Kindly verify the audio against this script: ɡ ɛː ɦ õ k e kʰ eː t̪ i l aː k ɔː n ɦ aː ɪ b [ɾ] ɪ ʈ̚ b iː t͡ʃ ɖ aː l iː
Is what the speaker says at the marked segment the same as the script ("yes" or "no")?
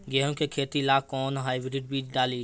yes